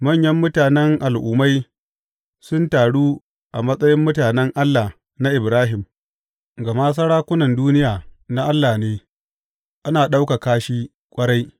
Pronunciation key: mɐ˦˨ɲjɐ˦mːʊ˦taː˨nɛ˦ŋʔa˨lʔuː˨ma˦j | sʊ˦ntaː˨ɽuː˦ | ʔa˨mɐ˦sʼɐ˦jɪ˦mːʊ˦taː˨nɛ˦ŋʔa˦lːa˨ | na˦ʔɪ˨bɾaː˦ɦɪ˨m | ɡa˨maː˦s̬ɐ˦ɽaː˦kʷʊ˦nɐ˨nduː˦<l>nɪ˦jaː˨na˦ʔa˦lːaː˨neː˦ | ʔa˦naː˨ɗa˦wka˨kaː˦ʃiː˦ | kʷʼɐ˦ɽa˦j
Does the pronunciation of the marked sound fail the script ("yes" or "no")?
yes